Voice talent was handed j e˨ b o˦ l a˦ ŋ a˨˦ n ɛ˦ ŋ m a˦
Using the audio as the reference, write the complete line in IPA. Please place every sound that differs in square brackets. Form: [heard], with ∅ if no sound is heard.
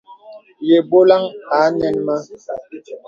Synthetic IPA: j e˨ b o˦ l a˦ ŋ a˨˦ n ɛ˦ [n] m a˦